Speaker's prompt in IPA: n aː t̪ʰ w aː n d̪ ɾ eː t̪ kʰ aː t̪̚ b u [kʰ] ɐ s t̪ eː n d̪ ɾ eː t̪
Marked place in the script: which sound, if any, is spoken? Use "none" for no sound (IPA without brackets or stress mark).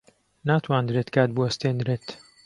none